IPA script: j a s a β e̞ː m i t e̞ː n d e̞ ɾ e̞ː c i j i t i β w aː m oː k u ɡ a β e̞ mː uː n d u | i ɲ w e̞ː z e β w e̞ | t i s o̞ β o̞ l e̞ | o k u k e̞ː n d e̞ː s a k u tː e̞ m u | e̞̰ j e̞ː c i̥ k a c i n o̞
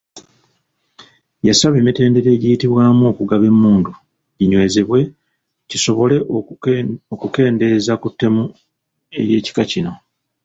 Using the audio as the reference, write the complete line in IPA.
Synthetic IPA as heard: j a s a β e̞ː m i t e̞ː n d e̞ ɾ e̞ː ɟ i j i t i β w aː m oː k u ɡ a β e̞ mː uː n d u | i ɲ w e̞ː z e β w e̞ | c i s o̞ β o̞ l e̞ | o k u k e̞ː n d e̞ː z a k u tː e̞ m u | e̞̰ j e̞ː c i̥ k a c i n o̞